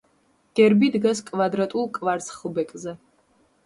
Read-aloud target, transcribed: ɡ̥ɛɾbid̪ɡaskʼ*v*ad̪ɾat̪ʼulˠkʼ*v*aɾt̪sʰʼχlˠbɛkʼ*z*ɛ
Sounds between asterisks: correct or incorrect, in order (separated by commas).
correct, correct, correct